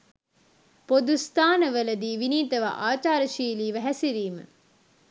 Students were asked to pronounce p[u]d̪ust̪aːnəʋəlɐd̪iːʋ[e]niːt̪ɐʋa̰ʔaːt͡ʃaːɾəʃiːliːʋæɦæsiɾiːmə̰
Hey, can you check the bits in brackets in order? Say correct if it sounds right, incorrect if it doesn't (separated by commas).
incorrect, incorrect